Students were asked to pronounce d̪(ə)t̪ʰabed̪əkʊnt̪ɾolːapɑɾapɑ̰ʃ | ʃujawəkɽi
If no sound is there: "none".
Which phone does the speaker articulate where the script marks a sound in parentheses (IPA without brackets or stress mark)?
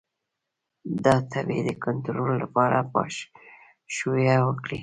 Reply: ɑ